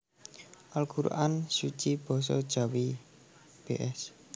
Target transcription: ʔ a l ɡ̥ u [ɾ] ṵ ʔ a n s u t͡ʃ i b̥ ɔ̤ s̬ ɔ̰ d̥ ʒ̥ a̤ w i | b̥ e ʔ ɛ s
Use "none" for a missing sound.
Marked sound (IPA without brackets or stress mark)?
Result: ɾ